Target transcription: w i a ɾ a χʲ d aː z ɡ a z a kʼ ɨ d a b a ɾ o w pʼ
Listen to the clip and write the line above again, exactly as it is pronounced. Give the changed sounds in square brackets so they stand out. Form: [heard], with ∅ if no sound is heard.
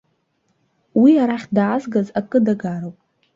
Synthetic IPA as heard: w i a ɾ a χʲ d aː z ɡ a z a kʼ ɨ d a [ɡ] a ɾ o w pʼ